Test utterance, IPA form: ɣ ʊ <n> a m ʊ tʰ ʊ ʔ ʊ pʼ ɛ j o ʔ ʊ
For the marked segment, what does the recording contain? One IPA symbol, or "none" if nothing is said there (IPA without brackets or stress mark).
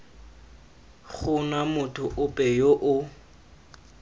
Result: n